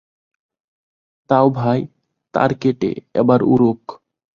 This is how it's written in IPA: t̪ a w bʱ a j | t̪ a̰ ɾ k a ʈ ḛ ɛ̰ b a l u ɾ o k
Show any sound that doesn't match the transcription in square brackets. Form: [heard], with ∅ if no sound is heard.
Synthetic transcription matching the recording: t̪ a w bʱ a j | t̪ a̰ ɾ k [e] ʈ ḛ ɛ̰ b a [ɾ] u ɾ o k